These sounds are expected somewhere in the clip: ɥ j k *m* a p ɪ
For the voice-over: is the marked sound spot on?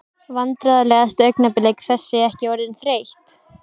no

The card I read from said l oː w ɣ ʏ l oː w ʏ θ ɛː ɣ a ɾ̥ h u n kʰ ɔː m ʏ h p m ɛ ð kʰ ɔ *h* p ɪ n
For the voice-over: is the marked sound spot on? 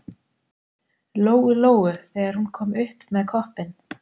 yes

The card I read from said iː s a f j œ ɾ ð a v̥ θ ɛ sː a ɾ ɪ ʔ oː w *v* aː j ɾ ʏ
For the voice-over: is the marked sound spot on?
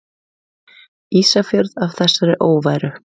yes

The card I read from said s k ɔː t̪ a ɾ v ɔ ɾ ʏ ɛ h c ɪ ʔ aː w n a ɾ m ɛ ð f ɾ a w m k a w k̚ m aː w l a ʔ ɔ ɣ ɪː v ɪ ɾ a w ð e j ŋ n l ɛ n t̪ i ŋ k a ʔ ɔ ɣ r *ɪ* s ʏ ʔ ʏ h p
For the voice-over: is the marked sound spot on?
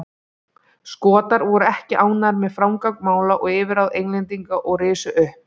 no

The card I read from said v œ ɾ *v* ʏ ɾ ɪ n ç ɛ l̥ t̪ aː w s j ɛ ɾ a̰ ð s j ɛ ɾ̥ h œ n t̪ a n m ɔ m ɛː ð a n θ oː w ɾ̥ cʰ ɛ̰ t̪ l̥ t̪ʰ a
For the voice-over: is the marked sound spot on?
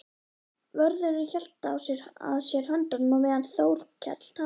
no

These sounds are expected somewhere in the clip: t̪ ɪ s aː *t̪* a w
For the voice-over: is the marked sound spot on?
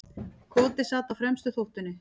yes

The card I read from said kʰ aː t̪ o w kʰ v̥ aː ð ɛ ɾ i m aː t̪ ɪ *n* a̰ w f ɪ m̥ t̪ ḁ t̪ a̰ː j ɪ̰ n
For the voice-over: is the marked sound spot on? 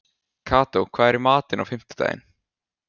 yes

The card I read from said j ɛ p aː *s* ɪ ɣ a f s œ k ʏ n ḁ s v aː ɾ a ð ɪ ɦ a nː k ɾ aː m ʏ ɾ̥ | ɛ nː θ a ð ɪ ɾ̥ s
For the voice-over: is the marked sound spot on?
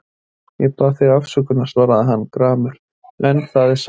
no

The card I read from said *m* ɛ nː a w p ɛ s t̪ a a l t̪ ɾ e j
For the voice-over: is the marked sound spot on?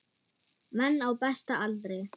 yes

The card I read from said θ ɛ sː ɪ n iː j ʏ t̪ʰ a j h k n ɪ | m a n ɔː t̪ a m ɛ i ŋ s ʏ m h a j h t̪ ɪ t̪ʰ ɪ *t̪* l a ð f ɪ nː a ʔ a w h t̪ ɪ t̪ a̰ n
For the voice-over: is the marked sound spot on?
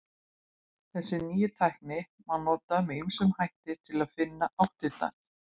no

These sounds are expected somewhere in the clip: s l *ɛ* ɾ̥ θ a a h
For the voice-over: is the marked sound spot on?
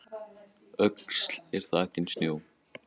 yes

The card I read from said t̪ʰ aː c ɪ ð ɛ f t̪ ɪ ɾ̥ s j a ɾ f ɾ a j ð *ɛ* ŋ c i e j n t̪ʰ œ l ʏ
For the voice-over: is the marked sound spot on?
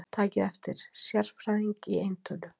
no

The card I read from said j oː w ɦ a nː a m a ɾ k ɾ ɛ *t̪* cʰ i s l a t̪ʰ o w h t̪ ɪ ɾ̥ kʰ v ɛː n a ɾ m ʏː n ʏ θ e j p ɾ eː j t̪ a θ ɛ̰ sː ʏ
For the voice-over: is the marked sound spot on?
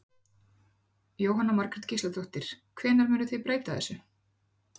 yes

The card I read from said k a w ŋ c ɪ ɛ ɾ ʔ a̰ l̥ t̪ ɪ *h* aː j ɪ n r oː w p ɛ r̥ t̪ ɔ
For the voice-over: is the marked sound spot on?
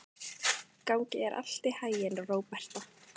yes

